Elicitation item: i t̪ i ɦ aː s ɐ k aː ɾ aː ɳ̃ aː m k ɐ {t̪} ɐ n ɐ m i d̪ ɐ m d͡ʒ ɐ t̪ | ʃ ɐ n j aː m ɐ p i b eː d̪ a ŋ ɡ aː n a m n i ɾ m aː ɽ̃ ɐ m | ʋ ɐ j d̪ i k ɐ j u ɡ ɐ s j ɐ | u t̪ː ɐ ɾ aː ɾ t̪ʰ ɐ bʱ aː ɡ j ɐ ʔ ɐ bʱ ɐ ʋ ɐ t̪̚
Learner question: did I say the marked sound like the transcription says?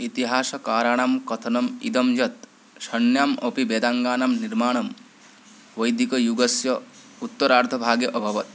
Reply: no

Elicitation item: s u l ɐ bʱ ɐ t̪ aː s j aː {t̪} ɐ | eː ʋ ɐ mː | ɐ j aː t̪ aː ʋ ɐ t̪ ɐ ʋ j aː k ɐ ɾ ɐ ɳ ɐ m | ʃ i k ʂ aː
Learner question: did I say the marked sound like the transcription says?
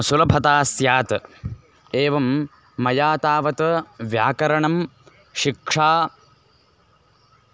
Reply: yes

